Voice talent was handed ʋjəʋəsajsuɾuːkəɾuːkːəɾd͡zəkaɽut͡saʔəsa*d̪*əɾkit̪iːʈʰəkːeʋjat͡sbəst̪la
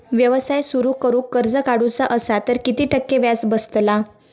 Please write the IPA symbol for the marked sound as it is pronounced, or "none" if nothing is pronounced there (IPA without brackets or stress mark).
t̪